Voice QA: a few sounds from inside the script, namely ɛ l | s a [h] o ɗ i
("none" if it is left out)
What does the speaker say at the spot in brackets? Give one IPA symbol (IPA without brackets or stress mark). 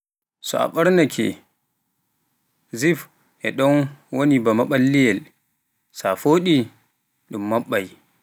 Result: f